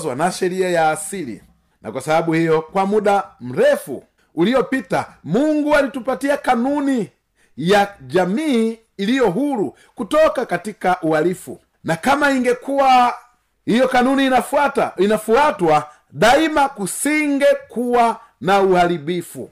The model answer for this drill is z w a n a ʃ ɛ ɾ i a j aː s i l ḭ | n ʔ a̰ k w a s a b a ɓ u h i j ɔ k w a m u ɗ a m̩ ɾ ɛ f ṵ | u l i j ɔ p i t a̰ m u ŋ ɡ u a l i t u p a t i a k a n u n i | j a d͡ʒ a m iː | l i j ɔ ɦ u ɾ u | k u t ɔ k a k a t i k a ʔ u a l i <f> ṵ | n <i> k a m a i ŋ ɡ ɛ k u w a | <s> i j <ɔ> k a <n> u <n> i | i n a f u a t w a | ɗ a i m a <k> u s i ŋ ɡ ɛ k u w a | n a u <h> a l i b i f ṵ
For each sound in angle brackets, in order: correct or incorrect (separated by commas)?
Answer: correct, incorrect, incorrect, correct, correct, correct, correct, correct